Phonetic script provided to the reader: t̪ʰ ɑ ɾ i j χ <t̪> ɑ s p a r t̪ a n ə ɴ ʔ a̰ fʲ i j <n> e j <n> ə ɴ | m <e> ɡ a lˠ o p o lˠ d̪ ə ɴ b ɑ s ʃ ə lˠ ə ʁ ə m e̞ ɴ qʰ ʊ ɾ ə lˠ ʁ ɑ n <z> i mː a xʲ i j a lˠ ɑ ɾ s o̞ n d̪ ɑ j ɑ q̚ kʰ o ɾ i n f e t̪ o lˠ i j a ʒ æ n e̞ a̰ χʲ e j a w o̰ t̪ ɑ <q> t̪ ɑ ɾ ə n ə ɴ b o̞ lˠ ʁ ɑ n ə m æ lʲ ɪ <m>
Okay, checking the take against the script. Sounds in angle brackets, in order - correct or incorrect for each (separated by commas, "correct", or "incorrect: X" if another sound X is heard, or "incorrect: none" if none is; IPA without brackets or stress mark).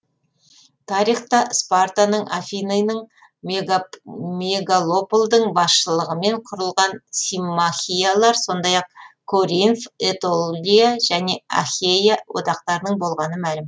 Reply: correct, correct, correct, correct, incorrect: s, correct, correct